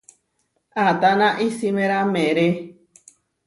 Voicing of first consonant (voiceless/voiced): voiceless